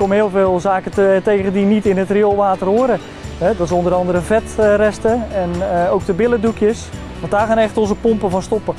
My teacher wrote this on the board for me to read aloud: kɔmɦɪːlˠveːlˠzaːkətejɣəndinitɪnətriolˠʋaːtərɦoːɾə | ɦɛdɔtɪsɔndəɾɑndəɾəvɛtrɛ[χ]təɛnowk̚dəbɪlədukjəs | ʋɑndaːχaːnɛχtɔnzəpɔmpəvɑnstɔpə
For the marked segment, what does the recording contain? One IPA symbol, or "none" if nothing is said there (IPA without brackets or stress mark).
s